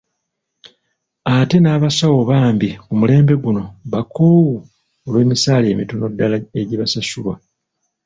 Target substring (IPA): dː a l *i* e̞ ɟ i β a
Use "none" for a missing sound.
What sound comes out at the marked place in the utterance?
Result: a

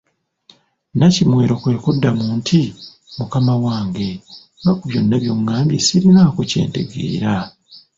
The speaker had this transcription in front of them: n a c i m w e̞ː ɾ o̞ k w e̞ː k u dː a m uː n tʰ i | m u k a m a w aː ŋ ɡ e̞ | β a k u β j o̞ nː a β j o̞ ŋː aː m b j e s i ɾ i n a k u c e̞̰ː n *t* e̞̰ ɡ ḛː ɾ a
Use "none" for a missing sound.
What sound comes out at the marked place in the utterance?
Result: t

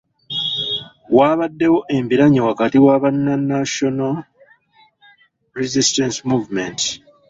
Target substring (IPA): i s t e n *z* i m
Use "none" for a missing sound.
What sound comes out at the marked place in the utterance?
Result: s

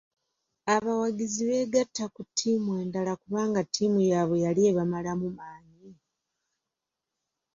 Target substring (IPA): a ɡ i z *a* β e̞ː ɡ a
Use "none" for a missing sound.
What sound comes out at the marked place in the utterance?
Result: i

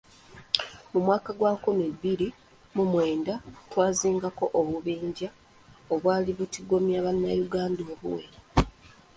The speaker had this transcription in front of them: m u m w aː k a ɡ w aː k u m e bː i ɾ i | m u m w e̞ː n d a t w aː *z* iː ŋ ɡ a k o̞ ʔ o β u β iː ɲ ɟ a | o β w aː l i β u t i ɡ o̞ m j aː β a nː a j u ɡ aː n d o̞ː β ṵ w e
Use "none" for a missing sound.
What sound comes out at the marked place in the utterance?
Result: z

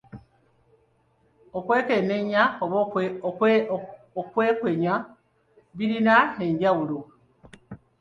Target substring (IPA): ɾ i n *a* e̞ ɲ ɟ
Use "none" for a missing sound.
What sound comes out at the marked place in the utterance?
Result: a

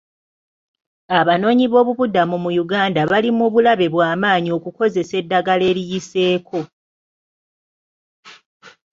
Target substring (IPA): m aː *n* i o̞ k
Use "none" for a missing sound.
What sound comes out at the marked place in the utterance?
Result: ɲ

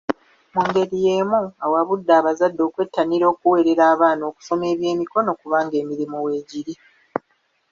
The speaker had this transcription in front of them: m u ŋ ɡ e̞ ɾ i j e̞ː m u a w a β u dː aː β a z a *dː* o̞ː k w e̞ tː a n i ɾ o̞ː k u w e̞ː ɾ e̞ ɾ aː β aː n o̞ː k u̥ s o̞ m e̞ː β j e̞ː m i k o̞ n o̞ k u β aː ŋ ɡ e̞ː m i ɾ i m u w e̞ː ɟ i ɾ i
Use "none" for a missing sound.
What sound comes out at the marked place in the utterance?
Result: dː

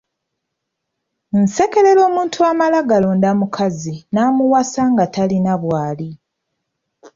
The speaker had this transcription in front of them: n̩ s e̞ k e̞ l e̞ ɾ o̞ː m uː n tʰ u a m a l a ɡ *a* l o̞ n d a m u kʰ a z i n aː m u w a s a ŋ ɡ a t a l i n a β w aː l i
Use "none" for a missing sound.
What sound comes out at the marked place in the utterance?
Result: a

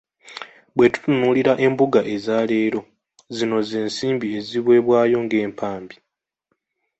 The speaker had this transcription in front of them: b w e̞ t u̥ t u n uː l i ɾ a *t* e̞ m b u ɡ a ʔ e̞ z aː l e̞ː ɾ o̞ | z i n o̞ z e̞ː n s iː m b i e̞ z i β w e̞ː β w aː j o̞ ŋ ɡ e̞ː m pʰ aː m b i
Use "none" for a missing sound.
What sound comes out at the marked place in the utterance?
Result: ʔ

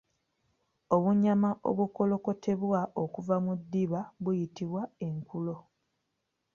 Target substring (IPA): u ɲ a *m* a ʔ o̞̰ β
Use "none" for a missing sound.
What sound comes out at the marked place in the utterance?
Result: m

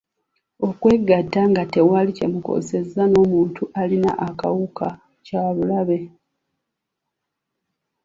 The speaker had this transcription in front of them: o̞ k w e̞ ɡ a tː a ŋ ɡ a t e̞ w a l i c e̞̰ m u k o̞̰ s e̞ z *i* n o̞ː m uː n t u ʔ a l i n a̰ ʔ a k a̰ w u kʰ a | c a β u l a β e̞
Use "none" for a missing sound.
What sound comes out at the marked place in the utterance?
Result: a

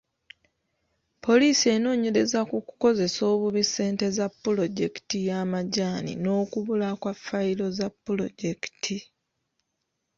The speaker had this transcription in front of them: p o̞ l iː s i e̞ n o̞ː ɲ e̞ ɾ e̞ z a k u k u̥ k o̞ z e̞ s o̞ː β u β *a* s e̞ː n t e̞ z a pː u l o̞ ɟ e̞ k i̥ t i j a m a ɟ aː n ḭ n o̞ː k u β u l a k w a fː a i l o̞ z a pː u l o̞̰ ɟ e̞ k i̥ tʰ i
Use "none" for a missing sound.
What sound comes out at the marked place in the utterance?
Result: i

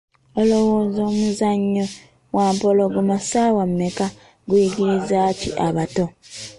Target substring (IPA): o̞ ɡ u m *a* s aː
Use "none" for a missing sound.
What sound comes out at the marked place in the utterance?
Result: a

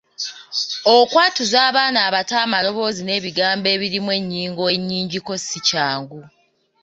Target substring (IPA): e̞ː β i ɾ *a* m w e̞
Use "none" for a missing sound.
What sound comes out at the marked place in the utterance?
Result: i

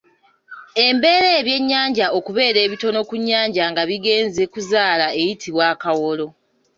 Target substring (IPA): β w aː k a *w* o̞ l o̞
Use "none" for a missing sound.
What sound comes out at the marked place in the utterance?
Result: w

